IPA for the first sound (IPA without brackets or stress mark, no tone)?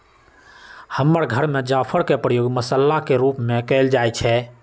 h